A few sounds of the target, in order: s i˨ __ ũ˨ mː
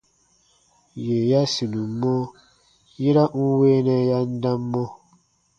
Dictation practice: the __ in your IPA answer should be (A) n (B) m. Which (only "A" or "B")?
A